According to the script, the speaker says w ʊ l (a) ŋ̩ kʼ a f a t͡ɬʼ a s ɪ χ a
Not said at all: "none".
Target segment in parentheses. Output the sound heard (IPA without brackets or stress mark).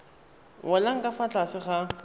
a